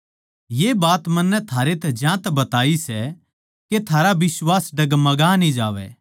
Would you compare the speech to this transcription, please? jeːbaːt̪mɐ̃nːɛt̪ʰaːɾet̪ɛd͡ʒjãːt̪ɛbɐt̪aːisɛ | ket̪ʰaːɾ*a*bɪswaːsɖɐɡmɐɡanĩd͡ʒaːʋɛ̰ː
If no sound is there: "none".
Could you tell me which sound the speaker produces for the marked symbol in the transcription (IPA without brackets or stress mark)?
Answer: a